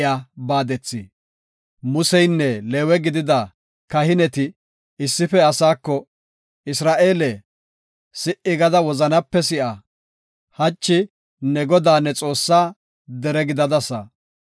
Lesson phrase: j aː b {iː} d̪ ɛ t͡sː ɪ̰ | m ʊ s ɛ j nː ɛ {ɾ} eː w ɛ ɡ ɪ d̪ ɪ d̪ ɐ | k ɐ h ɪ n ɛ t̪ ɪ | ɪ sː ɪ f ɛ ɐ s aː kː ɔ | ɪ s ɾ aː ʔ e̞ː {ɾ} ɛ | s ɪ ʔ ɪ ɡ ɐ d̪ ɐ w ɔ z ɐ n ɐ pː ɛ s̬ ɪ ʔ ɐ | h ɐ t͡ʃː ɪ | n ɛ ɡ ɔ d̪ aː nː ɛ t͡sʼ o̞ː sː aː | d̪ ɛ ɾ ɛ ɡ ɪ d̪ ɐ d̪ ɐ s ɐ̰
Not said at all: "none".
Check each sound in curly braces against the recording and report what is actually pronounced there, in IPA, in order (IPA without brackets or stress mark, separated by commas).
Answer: aː, l, l